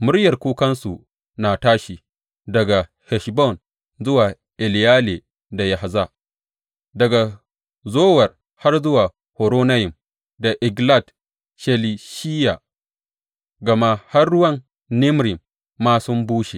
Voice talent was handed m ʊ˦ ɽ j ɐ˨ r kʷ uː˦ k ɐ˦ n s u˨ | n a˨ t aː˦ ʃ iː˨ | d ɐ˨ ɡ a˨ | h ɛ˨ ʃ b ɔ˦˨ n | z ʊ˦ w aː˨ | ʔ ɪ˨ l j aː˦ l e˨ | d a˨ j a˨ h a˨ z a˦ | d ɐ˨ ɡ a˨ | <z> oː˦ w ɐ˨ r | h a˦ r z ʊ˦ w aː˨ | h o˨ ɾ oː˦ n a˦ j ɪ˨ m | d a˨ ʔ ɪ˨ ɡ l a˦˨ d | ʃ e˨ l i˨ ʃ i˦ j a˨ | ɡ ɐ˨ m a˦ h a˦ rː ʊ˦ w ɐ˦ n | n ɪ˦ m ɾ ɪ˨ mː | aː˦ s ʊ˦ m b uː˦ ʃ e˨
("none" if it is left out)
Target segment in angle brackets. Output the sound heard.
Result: z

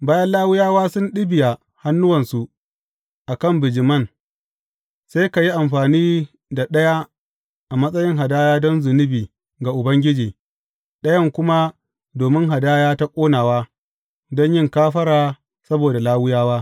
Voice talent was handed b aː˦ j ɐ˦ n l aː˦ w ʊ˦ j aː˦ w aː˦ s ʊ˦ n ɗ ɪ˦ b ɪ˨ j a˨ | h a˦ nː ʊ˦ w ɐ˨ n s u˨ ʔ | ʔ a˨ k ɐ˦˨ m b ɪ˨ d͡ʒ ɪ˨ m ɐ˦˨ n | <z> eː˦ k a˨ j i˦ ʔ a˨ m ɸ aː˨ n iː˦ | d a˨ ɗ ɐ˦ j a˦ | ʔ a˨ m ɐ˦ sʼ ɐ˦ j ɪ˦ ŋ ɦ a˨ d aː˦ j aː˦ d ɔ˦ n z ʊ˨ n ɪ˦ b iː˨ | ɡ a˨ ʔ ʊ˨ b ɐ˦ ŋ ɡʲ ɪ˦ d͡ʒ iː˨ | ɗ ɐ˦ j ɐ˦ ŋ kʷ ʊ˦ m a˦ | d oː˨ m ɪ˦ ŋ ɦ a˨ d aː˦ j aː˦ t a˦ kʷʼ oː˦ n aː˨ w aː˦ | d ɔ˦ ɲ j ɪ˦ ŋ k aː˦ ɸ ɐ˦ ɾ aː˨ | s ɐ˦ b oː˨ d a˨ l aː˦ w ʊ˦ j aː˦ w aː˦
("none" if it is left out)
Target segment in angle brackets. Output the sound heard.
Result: s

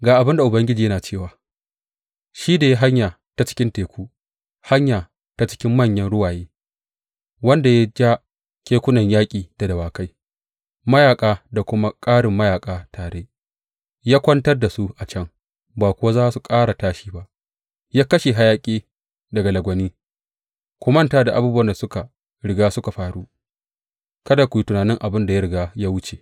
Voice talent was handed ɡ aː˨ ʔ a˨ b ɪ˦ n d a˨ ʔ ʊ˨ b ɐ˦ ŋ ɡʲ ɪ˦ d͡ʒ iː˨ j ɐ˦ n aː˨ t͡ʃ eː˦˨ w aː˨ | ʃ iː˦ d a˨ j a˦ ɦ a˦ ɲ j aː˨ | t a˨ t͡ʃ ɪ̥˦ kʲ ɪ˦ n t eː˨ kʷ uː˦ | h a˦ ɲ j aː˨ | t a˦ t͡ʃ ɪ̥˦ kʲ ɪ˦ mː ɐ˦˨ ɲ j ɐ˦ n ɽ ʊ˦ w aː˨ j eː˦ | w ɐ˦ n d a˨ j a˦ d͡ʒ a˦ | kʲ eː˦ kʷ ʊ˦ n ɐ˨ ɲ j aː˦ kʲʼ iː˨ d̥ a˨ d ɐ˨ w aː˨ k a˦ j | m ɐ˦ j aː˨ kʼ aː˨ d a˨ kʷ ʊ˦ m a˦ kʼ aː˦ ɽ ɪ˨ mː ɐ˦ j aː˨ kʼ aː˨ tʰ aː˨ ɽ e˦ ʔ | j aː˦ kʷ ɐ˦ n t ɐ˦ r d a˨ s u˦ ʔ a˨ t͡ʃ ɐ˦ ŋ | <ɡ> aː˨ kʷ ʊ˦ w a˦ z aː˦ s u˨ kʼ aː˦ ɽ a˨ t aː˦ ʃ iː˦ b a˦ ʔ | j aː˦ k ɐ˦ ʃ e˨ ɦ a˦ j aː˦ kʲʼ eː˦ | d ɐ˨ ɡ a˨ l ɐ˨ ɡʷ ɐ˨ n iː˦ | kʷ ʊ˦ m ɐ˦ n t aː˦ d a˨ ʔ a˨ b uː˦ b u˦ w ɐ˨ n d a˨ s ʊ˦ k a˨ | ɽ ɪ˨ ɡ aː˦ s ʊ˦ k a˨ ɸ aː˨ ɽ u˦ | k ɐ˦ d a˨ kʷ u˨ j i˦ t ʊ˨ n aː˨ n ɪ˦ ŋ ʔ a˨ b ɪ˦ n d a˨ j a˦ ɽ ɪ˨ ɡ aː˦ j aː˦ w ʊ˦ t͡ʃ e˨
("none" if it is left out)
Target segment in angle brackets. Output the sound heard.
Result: b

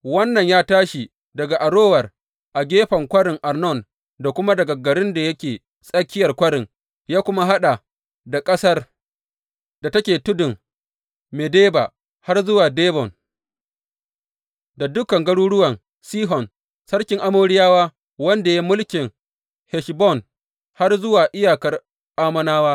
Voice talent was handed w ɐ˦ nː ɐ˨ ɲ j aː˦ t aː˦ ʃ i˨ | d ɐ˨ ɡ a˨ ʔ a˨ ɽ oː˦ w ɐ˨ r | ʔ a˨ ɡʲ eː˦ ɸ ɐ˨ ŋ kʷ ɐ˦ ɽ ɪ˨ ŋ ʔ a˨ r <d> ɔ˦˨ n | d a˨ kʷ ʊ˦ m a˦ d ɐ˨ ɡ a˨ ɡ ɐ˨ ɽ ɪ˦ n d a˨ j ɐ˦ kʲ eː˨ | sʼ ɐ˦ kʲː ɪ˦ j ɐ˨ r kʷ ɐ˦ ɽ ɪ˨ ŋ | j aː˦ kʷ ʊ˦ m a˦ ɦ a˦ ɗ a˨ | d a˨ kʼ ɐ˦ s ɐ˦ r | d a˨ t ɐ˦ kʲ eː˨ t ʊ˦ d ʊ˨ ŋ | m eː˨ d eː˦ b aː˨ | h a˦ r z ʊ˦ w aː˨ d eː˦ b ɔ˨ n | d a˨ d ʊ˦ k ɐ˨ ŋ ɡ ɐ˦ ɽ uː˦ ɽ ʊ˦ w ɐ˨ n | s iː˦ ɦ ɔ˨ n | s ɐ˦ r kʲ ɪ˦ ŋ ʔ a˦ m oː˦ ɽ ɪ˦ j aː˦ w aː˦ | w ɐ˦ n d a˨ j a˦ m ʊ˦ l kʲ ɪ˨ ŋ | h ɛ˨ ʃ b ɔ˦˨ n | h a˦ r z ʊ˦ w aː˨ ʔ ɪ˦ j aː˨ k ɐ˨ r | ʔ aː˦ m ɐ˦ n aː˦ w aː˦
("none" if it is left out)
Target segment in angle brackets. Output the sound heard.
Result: n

